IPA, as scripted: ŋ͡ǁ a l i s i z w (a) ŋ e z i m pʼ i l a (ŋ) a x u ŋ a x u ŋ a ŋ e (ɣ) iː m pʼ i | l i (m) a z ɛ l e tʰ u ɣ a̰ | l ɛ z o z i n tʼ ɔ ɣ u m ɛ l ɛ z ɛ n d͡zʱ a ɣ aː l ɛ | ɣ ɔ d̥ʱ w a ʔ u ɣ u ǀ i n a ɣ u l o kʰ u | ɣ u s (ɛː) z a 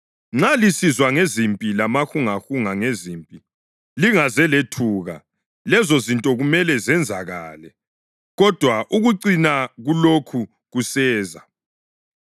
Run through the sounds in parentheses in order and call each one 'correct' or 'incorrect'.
correct, incorrect, incorrect, incorrect, correct

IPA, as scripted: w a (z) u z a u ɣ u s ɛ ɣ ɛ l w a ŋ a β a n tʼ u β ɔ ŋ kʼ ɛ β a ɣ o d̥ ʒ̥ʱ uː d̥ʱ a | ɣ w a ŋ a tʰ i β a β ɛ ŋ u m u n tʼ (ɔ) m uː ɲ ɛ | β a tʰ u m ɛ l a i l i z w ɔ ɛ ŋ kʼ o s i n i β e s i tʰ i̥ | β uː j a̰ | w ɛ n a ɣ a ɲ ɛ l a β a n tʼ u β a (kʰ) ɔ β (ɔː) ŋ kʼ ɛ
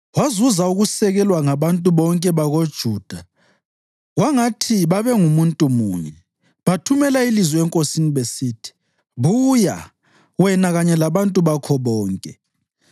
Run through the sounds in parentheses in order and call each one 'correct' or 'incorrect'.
correct, incorrect, correct, correct

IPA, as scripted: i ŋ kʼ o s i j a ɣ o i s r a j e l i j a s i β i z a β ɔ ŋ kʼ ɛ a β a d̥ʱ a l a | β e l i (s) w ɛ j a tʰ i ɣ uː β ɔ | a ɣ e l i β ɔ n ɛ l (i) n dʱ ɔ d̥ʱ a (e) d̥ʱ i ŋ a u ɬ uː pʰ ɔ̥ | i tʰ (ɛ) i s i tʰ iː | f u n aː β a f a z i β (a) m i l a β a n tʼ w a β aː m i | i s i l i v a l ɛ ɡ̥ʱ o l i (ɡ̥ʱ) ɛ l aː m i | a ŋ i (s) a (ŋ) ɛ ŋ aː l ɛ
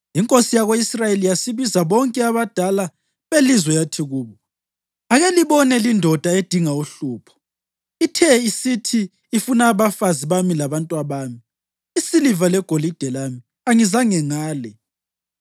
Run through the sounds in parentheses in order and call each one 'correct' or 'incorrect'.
incorrect, correct, correct, correct, correct, incorrect, incorrect, correct

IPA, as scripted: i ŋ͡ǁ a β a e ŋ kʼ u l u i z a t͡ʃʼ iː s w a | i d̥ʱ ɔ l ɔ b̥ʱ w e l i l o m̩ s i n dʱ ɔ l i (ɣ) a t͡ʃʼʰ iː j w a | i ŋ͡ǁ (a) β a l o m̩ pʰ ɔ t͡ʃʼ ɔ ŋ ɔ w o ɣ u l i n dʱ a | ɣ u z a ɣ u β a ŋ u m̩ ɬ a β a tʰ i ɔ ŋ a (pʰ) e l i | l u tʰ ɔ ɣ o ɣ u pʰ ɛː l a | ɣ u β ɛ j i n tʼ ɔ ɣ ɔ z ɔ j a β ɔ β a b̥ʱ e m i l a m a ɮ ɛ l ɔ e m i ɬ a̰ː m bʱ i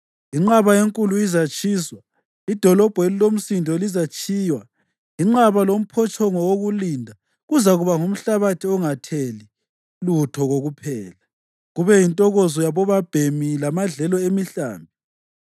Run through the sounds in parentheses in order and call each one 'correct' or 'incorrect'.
incorrect, correct, incorrect

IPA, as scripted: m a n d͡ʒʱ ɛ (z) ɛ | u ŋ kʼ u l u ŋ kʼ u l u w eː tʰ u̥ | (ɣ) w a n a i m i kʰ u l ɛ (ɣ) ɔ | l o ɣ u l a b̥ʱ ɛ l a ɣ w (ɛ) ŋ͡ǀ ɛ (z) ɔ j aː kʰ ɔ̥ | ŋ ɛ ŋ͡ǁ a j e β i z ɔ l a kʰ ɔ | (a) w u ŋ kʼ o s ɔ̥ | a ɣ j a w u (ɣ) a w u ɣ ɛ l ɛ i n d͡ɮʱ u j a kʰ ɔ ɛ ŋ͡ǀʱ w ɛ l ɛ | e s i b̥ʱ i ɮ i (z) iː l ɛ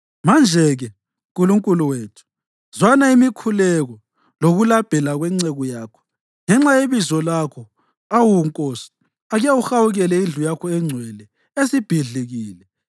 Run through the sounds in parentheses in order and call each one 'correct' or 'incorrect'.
incorrect, incorrect, correct, correct, incorrect, correct, incorrect, incorrect

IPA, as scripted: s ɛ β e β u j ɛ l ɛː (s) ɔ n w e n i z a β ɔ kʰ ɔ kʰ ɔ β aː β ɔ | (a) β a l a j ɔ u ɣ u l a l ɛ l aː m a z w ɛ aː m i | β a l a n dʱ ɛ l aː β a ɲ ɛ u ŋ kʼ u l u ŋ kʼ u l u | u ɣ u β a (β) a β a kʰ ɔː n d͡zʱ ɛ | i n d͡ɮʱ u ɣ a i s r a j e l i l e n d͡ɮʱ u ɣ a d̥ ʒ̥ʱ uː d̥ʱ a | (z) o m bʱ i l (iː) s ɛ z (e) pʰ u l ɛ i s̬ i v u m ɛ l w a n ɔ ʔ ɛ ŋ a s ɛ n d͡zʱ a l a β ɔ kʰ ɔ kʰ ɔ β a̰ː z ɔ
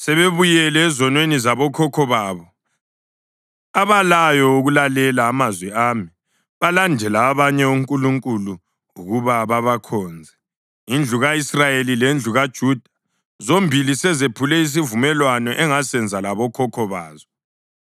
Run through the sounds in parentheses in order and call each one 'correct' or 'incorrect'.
incorrect, correct, correct, correct, incorrect, correct

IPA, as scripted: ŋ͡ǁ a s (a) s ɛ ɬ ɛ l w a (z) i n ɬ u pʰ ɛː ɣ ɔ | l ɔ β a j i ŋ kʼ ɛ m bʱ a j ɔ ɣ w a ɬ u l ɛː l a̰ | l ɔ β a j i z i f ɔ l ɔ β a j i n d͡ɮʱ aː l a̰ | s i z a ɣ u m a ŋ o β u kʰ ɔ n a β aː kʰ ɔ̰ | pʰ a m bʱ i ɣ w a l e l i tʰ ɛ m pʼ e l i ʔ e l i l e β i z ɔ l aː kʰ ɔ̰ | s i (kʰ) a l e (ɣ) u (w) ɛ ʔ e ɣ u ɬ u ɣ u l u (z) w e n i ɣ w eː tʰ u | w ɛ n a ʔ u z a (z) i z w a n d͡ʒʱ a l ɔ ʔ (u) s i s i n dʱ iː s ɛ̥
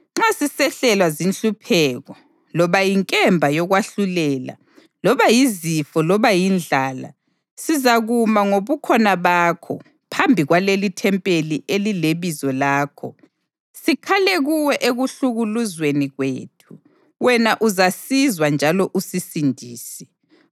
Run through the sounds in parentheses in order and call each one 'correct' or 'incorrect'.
incorrect, correct, correct, correct, correct, correct, incorrect, correct

